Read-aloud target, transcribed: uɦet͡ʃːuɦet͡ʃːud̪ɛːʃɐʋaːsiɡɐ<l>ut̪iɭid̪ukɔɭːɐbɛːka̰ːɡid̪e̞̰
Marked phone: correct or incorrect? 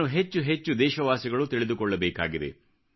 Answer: incorrect: ɭ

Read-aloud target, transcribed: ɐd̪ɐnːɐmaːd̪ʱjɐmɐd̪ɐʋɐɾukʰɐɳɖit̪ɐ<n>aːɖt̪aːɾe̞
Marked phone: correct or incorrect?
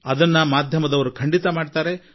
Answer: incorrect: m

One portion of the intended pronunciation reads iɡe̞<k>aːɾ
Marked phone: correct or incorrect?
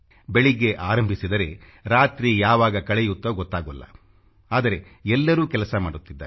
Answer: incorrect: ʔ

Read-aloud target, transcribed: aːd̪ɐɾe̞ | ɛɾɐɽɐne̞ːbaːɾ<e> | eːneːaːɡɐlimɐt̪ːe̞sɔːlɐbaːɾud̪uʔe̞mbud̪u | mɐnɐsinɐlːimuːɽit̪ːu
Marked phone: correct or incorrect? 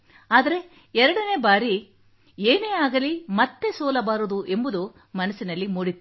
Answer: incorrect: i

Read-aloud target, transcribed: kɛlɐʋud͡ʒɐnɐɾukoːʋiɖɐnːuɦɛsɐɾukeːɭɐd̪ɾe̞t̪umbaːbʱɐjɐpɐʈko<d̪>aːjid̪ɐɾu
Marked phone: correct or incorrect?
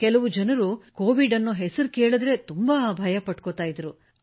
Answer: incorrect: t̪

